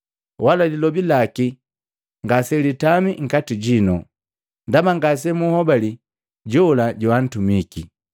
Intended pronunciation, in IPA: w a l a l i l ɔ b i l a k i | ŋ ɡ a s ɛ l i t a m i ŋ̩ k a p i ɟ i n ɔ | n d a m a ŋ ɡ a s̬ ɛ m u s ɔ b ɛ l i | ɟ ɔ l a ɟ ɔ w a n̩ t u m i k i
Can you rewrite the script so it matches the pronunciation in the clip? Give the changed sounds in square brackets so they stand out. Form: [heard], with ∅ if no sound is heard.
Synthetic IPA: w a l a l i l ɔ b i l a k i | ŋ ɡ a s ɛ l i t a m i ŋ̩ k a [t] i ɟ i n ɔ | n d a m a ŋ ɡ a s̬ ɛ m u [h] ɔ b [a] l i | ɟ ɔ l a ɟ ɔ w a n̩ t u m i k i